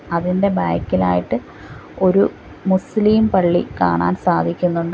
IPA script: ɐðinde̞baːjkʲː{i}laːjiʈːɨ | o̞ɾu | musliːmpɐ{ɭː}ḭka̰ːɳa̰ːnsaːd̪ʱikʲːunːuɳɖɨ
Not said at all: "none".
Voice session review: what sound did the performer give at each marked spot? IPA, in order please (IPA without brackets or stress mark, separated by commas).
i, ɭː